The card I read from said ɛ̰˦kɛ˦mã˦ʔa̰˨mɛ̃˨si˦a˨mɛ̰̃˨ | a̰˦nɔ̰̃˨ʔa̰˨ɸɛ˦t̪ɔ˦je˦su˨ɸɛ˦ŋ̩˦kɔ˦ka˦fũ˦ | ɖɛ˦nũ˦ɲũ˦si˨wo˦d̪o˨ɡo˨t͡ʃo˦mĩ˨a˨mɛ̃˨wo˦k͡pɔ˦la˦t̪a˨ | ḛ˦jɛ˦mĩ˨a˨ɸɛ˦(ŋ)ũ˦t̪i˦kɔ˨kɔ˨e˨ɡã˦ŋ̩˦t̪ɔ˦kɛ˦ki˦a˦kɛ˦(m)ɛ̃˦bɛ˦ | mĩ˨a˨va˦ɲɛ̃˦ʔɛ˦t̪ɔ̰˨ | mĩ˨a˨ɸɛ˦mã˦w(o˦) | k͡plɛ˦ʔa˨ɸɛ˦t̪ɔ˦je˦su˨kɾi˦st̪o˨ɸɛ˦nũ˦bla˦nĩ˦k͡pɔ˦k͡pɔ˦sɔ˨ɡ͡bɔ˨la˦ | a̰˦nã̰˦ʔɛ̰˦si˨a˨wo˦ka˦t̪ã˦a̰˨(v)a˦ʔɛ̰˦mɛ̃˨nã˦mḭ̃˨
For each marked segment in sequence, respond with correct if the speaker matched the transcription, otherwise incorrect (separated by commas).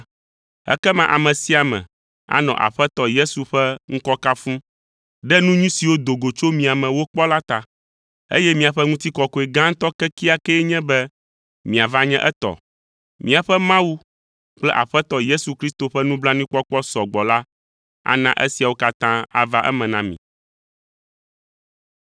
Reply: correct, incorrect, incorrect, correct